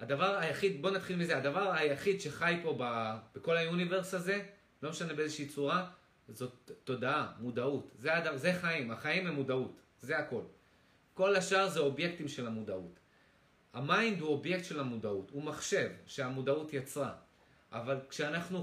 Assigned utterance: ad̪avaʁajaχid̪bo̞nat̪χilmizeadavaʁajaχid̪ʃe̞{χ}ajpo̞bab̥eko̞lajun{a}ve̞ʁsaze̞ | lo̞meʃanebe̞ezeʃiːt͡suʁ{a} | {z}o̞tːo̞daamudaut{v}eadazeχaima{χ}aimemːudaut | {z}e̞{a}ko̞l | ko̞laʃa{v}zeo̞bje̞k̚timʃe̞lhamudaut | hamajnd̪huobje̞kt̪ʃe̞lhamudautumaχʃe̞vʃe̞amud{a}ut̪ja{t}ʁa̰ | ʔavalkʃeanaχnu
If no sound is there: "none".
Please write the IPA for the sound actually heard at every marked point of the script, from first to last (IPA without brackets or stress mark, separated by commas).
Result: χ, i, a, z, z, χ, z, a, ʁ, a, t͡s